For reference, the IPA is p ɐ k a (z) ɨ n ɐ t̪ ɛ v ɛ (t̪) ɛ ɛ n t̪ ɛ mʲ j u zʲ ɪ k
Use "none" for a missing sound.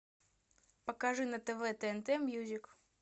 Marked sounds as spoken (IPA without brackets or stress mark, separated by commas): ʐ, t̪